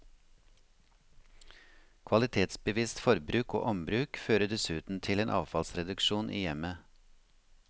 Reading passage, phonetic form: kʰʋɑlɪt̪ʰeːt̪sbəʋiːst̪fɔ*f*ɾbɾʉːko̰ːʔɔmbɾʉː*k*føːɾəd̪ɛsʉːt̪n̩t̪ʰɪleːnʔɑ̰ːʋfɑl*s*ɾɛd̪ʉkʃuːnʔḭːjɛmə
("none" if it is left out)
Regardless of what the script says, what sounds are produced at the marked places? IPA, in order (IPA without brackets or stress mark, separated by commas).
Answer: none, k, s